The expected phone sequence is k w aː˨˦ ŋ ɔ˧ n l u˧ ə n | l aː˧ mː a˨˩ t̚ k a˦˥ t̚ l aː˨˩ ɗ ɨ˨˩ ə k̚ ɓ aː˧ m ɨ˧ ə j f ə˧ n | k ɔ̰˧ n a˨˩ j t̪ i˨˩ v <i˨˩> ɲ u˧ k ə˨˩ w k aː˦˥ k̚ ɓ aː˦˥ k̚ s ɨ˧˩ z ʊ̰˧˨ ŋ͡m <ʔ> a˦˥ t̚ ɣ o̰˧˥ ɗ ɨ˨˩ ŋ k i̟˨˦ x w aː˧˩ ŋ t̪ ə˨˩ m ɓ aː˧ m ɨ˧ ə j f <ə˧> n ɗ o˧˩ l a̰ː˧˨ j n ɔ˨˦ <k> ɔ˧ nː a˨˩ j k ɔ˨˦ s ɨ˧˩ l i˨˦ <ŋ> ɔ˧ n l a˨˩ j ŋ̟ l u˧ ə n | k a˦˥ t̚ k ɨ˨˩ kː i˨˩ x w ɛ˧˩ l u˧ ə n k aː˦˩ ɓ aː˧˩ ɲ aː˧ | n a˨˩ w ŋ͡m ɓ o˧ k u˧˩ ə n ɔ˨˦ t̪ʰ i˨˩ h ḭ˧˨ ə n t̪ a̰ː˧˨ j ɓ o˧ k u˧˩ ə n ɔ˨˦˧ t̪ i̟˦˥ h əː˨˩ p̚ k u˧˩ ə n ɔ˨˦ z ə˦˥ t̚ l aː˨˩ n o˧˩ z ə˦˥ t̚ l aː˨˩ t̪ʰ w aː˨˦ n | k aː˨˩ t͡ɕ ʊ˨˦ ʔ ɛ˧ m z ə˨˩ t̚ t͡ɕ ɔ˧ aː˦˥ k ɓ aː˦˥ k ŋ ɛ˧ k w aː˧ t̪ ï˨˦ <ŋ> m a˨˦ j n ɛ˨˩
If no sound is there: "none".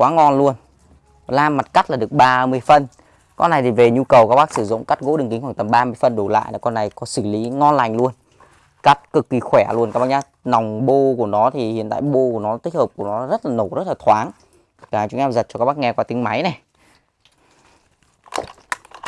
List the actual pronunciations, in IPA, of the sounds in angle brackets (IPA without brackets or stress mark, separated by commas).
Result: e˨˩, k, ə˧, k, ŋ, ŋ